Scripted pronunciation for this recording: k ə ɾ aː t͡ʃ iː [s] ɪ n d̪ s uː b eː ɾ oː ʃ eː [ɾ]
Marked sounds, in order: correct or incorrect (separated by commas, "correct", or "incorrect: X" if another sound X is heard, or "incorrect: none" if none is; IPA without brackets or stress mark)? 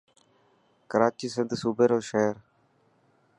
correct, correct